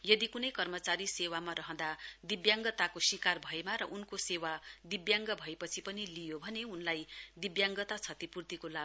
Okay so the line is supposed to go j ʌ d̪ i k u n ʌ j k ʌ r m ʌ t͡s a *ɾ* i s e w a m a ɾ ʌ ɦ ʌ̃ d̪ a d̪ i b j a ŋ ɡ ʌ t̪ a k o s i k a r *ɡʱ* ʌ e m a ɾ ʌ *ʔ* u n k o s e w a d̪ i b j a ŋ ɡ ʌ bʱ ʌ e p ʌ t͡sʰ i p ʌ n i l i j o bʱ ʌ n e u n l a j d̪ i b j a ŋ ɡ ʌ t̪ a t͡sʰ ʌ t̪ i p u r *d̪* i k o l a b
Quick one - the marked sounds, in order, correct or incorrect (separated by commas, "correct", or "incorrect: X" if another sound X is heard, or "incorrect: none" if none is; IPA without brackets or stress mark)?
correct, incorrect: bʱ, correct, incorrect: t̪